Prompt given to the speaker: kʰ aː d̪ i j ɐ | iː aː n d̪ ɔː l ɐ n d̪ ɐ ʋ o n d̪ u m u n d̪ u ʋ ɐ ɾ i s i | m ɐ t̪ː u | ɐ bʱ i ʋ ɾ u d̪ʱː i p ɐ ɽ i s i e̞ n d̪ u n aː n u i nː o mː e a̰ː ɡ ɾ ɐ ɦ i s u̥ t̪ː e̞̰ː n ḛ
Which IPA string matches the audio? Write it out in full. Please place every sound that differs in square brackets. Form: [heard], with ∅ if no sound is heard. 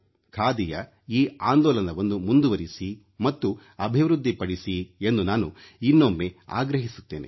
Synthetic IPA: kʰ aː d̪ i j ɐ | iː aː n d̪ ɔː l ɐ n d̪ ɐ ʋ o n d̪ u m u n d̪ u ʋ ɐ ɾ i s i | m ɐ t̪ː u | ɐ bʱ i ʋ ɾ u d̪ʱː i p ɐ ɽ i s i e̞ n d̪ u n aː n u i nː o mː e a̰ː ɡ ɾ ɐ ɦ i s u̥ t̪ː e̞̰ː n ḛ